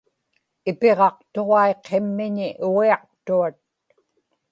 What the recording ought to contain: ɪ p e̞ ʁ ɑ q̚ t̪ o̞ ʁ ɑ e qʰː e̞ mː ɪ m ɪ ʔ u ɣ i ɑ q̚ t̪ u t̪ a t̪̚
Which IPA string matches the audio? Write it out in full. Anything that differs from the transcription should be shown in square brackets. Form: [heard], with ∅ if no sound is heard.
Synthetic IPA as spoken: ɪ p e̞ ʁ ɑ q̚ t̪ o̞ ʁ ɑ e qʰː e̞ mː ɪ [ɲ] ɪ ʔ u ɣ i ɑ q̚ t̪ u [∅] a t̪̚